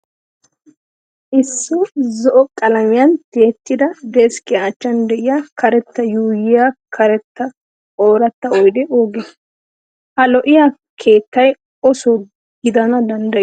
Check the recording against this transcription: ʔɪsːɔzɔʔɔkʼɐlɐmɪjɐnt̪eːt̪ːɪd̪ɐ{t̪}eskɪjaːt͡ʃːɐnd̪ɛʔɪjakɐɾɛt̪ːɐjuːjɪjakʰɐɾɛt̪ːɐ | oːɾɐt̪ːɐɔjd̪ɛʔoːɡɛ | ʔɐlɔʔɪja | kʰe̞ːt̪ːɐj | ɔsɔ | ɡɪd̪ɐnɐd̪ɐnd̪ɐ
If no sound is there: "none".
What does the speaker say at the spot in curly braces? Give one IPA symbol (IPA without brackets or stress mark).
d̪